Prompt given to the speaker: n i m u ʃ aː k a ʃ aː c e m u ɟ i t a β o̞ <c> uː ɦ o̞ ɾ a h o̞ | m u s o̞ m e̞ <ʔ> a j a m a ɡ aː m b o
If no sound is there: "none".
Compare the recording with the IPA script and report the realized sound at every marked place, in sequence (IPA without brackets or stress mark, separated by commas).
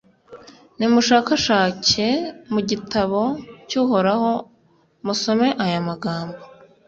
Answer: c, ʔ